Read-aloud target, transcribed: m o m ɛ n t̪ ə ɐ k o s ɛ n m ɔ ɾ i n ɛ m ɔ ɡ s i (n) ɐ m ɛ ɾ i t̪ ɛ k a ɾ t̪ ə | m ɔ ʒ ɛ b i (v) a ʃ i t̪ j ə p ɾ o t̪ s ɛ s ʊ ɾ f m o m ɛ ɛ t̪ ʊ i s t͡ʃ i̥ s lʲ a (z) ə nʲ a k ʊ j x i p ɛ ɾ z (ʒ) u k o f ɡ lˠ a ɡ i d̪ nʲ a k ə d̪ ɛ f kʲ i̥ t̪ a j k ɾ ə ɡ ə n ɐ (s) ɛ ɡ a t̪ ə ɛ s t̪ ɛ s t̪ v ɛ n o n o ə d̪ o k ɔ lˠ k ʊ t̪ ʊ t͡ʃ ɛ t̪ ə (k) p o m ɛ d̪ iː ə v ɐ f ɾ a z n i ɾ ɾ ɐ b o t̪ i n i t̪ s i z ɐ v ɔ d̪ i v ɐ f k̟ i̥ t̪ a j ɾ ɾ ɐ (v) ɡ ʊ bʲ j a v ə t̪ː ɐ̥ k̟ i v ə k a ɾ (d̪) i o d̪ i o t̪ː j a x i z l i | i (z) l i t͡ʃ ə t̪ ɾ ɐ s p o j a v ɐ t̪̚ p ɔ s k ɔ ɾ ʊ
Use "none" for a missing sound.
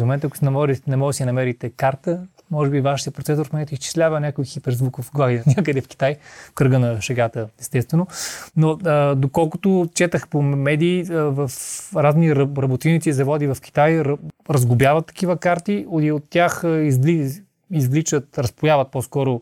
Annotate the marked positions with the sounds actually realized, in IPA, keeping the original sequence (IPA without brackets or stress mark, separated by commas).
n, v, v, v, ʃ, x, z, t̪, z